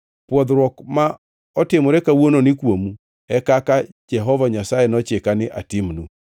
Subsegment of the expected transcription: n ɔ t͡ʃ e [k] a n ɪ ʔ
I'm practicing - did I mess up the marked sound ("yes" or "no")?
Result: no